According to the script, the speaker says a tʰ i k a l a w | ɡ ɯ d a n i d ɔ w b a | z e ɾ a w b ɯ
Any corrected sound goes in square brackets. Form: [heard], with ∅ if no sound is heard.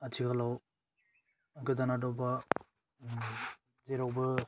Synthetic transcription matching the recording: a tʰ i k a l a w | ɡ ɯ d a n [a] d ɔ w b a | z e ɾ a w b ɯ